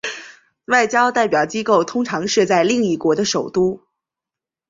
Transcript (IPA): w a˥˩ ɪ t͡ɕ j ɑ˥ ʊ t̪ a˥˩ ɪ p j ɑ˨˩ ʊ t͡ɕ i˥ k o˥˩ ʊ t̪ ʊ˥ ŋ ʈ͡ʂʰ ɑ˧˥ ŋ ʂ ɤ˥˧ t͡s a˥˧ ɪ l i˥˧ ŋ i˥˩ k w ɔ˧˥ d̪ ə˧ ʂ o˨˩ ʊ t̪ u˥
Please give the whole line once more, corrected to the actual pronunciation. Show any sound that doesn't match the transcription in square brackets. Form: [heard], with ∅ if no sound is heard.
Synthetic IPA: w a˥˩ ɪ t͡ɕ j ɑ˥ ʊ t̪ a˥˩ ɪ p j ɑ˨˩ ʊ t͡ɕ i˥ k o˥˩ ʊ [t̪ʰ] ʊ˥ ŋ ʈ͡ʂʰ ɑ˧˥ ŋ ʂ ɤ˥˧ t͡s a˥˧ ɪ l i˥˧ ŋ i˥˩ k w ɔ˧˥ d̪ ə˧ ʂ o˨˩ ʊ t̪ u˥